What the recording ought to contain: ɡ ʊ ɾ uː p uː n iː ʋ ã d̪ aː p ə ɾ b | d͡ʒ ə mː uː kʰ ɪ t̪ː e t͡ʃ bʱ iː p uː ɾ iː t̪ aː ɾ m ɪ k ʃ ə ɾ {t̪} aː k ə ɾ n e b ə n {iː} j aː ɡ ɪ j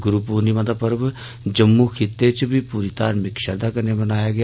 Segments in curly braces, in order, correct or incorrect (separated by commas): incorrect, incorrect